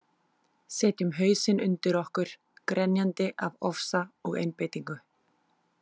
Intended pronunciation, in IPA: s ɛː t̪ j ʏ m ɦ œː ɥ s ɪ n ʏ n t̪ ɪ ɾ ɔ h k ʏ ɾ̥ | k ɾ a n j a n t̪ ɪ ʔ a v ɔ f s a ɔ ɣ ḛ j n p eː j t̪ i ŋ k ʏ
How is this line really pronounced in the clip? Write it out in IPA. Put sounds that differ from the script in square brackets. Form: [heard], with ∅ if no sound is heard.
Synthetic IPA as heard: s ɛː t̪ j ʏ m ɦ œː ɥ s ɪ n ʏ n t̪ ɪ ɾ ɔ h k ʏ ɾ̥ | k ɾ [ɛ] n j a n t̪ ɪ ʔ a v ɔ f s a ɔ ɣ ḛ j n p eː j t̪ i ŋ k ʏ